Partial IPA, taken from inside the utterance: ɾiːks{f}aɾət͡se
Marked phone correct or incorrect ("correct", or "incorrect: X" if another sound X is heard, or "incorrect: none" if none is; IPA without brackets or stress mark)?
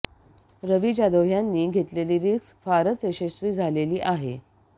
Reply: correct